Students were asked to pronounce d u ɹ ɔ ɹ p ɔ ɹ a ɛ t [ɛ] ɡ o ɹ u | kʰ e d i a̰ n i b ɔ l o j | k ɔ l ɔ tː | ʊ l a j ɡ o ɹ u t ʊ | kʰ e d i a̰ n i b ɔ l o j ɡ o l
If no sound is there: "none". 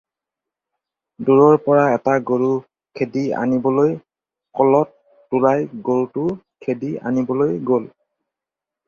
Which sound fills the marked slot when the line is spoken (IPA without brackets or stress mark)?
a